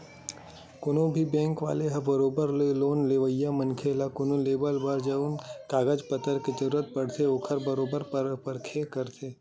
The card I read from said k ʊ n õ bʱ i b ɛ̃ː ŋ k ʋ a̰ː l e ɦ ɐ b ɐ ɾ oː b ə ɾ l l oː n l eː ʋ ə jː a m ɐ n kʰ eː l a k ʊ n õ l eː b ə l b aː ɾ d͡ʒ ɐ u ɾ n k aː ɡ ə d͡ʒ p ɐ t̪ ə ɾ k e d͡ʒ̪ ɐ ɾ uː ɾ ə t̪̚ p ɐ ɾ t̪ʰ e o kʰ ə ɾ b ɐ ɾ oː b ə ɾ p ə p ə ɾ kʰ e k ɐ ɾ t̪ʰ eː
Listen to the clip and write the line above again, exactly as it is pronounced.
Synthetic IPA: k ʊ n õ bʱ i b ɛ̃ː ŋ k ʋ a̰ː l e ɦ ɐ b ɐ ɾ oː b ə ɾ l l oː n l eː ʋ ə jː a m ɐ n kʰ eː l a k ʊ n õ l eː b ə l b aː ɾ d͡ʒ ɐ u n k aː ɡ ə d͡ʒ p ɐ t̪ ə ɾ k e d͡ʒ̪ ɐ ɾ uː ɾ ə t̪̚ p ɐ ɽ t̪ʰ e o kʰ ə ɾ b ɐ ɾ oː b ə ɾ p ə p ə ɾ kʰ e k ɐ ɾ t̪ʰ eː